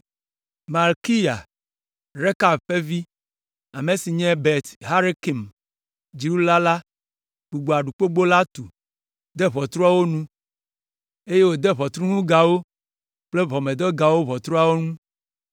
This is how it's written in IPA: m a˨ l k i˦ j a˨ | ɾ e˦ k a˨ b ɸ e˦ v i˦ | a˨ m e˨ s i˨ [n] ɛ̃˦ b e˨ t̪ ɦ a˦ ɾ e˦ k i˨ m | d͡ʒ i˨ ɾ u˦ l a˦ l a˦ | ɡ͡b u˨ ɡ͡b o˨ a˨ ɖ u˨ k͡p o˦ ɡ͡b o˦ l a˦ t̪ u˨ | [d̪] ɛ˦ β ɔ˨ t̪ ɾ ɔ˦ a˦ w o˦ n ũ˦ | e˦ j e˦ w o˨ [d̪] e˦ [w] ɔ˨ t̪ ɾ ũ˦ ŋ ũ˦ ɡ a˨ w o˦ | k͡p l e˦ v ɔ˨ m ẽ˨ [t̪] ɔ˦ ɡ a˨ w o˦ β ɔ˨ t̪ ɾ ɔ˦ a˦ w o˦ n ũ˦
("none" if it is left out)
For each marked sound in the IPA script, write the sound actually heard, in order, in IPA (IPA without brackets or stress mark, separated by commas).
ɲ, d̪, d̪, β, d̪